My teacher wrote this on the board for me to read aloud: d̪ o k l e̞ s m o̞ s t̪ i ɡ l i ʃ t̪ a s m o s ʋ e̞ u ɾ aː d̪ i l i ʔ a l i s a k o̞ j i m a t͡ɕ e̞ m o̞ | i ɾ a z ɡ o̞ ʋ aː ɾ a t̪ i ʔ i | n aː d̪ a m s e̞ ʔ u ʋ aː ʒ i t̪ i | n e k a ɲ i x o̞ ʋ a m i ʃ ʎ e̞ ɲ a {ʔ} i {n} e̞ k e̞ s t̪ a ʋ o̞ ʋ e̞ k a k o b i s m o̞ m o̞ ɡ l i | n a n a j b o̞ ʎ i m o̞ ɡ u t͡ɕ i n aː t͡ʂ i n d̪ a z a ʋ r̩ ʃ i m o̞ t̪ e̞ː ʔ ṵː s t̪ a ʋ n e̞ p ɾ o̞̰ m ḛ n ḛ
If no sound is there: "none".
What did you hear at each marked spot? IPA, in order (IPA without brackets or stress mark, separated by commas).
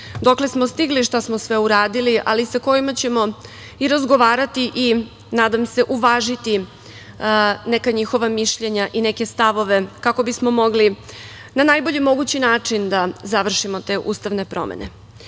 ʔ, n